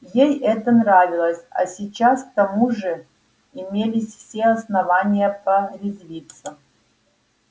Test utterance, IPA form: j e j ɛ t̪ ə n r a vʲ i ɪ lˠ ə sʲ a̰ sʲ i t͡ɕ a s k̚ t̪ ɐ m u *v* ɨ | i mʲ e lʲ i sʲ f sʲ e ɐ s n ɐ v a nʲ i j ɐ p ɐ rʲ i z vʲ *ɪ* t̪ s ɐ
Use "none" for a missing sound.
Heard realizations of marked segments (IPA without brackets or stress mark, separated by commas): ʐ, i